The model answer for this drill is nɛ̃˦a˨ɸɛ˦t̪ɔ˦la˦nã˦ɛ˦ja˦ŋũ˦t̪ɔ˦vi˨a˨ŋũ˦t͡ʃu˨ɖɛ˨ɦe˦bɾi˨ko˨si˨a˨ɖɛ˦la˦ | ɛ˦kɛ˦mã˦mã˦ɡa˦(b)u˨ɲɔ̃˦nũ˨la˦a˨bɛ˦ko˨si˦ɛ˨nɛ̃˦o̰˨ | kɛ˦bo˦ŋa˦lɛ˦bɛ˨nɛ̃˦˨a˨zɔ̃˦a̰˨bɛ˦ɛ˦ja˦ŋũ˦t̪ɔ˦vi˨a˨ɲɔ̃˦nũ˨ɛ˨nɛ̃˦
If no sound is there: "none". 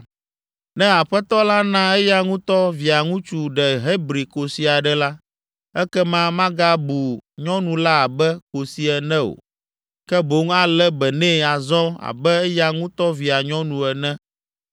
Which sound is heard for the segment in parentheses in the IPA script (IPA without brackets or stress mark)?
b